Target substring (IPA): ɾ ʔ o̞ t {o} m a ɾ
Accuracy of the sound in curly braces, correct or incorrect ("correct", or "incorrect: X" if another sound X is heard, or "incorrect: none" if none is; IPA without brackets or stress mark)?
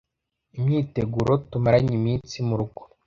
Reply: incorrect: u